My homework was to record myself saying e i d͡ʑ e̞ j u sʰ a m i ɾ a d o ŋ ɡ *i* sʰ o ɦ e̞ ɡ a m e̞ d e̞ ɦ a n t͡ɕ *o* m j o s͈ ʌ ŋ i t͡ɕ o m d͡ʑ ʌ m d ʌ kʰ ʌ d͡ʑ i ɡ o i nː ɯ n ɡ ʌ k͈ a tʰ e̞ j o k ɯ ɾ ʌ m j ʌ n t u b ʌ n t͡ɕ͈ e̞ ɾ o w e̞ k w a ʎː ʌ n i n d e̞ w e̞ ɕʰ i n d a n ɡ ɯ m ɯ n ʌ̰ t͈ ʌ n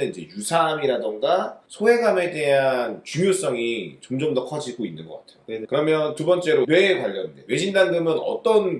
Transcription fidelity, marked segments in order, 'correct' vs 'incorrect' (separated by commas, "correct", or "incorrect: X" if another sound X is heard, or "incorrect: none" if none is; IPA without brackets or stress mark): incorrect: a, incorrect: u